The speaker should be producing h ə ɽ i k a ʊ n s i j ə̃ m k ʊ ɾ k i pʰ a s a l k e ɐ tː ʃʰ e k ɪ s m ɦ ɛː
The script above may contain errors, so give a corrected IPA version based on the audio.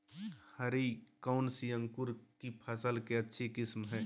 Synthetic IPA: h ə ɾ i k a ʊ n s i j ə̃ ŋ k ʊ ɾ k i pʰ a s ə l k e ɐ tː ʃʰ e k ɪ s m ɦ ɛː

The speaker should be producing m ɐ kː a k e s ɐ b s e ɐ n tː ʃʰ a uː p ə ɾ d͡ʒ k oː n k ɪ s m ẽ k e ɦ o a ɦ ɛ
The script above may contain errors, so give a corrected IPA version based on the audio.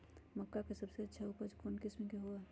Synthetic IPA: m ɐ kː a k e s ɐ b s e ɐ tː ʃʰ a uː p ə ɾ d͡ʒ k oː n k ɪ s m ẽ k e ɦ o a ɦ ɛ

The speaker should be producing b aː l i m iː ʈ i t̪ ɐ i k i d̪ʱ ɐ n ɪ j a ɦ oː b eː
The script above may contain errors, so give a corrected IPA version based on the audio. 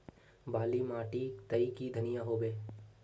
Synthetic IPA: b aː l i m aː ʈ i t̪ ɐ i k i d̪ʱ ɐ n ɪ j a ɦ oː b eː

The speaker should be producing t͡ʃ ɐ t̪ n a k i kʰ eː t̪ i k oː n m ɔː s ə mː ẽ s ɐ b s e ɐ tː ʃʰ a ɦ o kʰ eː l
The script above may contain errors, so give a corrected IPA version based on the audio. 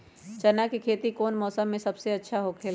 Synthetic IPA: t͡ʃ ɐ n a k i kʰ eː t̪ i k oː n m ɔː s ə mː ẽ s ɐ b s e ɐ tː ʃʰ a ɦ o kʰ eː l

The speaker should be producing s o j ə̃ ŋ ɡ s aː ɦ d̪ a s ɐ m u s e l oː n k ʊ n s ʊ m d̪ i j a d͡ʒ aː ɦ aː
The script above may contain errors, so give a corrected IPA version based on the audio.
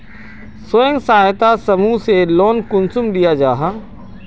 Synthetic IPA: s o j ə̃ ŋ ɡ s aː ɦ t̪ a s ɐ m u s e l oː n k ʊ n s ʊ m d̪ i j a d͡ʒ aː ɦ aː

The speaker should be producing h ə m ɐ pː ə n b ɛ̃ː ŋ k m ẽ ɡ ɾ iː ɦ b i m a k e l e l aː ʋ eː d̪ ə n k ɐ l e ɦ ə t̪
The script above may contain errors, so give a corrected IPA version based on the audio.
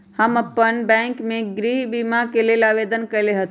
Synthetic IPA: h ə m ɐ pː ə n b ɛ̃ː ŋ k m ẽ ɡ ɾ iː ɦ b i m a k e l e l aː ʋ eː d̪ ə n k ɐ l e ɦ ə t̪

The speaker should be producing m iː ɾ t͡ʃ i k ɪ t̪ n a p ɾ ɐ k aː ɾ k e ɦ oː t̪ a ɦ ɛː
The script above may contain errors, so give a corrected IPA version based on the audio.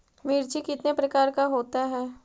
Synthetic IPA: m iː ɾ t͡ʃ i k ɪ t̪ n e p ɾ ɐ k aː ɾ k a ɦ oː t̪ a ɦ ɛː

